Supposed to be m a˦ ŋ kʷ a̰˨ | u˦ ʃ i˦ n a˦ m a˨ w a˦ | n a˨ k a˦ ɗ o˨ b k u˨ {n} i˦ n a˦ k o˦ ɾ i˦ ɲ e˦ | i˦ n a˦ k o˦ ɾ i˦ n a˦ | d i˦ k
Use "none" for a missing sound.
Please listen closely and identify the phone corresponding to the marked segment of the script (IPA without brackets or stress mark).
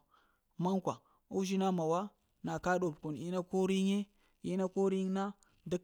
n